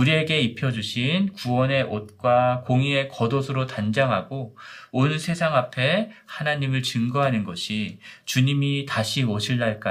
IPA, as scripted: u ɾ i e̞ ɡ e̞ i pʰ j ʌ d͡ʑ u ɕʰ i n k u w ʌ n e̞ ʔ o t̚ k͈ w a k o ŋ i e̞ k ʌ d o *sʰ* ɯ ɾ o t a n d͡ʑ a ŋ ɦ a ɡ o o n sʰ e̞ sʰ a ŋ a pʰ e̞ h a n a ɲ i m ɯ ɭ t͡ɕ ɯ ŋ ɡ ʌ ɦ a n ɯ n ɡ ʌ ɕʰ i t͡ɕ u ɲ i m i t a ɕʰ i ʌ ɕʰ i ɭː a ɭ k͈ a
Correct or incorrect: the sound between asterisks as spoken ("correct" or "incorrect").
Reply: correct